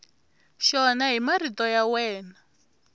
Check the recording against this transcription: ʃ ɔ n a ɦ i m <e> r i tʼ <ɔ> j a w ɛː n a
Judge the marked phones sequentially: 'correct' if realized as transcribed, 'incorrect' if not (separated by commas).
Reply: incorrect, correct